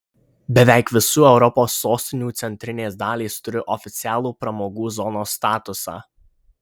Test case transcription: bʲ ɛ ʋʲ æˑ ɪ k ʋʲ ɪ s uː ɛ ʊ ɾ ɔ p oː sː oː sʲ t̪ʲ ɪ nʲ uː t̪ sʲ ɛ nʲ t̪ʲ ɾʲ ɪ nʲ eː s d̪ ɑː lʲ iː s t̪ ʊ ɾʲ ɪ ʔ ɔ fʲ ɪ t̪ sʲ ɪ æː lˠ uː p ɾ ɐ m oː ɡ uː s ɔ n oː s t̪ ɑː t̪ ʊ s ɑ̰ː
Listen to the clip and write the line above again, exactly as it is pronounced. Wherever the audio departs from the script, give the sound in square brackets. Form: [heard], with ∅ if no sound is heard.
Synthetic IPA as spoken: bʲ ɛ ʋʲ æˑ ɪ k ʋʲ ɪ s uː ɛ ʊ ɾ ɔ p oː sː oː sʲ t̪ʲ ɪ nʲ uː t̪ sʲ ɛ nʲ t̪ʲ ɾʲ ɪ nʲ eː s d̪ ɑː lʲ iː s t̪ ʊ ɾʲ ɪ ʔ ɔ fʲ ɪ t̪ sʲ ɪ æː lˠ uː p ɾ ɐ m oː ɡ uː [z] ɔ n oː s t̪ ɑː t̪ ʊ s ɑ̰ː